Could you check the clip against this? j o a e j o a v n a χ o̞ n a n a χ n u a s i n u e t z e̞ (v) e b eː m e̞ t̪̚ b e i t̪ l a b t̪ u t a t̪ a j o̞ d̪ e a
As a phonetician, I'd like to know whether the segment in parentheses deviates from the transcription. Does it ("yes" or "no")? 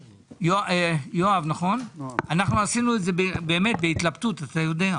yes